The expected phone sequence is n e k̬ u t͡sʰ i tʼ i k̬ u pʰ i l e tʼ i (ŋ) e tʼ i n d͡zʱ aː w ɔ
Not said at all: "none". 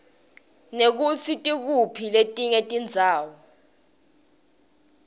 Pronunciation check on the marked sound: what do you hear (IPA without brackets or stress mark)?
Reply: ŋ